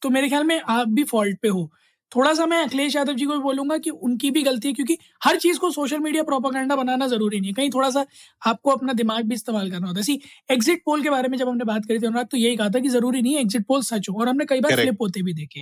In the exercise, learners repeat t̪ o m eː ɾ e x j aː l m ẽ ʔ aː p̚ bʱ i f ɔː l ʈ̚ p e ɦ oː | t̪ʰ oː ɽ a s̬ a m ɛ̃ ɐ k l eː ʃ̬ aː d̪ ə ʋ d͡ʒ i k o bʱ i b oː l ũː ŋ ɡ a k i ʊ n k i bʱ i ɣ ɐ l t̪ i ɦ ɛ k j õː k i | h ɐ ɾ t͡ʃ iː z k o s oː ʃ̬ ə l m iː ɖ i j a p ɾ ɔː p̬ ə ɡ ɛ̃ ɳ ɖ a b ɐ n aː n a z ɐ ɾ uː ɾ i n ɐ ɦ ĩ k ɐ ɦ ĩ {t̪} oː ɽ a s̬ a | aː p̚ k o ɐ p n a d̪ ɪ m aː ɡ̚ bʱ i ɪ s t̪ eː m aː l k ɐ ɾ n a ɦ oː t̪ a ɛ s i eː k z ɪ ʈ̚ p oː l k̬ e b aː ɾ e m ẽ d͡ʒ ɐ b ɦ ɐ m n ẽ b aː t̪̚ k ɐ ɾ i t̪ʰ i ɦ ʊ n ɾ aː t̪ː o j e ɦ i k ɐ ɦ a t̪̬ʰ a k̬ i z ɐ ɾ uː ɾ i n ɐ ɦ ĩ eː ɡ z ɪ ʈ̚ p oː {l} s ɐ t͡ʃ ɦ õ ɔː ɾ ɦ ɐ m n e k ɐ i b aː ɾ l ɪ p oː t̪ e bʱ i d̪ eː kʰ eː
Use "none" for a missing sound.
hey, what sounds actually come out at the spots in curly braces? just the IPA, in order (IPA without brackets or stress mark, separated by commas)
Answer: t̪ʰ, l